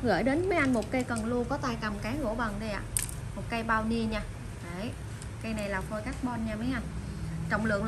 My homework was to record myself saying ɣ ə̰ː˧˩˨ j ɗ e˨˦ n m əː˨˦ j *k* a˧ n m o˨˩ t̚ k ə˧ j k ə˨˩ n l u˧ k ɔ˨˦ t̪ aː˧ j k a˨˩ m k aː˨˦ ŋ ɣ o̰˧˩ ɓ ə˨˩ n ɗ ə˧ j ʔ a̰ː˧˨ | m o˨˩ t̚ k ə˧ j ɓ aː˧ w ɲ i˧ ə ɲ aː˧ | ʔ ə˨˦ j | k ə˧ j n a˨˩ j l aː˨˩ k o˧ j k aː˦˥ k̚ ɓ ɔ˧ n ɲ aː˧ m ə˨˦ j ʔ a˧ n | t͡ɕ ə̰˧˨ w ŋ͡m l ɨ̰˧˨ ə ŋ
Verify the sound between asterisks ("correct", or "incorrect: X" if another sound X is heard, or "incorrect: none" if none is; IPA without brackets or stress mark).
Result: incorrect: ʔ